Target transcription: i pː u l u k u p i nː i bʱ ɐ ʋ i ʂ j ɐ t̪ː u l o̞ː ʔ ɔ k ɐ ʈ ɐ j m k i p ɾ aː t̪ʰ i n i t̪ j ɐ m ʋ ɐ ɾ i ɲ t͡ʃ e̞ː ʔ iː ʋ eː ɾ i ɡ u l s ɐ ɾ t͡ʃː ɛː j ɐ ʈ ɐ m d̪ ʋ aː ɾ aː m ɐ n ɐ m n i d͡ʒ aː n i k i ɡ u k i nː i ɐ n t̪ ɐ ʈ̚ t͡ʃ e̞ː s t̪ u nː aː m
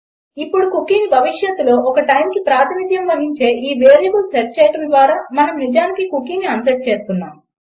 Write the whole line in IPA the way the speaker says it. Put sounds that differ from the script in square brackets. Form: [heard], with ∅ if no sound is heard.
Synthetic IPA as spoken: i pː u [ɽ] u k u [k] i [n] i bʱ ɐ ʋ i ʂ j ɐ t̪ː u l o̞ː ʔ ɔ k ɐ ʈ ɐ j m k i p ɾ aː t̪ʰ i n i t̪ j ɐ m ʋ ɐ ɾ i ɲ t͡ʃ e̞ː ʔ iː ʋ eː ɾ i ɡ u l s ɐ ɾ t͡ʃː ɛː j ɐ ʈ ɐ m d̪ ʋ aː ɾ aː m ɐ n ɐ m n i d͡ʒ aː n i k i [k] u k i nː i ɐ n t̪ ɐ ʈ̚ t͡ʃ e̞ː s t̪ u nː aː m